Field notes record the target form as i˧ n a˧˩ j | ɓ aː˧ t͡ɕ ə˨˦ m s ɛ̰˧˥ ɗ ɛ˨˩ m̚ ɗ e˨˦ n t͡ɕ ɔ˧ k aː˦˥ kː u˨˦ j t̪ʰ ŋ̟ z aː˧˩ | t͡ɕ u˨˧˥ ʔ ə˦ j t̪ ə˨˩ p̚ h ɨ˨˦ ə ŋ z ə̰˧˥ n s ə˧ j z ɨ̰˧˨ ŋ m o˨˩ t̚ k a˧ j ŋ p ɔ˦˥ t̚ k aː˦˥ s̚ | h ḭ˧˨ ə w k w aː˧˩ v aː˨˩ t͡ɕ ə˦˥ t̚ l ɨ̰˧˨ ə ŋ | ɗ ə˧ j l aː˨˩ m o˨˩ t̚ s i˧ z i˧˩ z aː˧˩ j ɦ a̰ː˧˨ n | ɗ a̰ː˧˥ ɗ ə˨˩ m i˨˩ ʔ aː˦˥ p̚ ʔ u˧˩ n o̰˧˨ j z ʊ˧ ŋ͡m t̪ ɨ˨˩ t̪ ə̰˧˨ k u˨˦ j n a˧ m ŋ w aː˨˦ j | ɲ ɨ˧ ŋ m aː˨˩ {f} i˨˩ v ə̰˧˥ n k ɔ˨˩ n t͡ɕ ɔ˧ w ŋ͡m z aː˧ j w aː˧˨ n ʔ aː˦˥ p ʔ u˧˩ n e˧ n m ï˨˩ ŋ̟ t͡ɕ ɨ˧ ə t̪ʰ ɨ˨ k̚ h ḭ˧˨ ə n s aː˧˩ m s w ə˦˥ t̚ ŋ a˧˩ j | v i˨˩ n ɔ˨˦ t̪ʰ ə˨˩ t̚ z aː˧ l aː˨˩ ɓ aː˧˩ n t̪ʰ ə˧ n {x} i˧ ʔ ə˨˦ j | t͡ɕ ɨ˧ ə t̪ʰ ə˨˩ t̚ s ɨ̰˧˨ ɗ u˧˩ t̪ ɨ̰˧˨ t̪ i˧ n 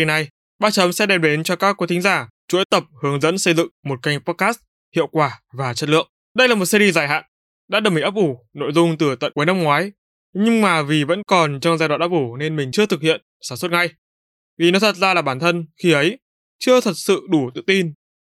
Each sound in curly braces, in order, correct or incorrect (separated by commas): incorrect, correct